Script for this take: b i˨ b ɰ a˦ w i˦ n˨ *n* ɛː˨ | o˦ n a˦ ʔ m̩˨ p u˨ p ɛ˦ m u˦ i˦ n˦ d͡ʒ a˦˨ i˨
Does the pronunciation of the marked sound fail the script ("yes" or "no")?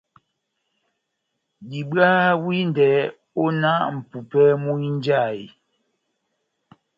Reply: yes